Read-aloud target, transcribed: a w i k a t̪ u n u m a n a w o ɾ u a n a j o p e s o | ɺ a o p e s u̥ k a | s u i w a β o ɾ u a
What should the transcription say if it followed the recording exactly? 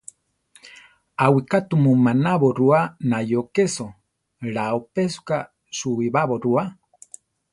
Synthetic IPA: a w i k a t̪ u m u m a n a β o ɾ u a n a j o k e s o | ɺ a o p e s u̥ k a | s u i β a β o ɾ u a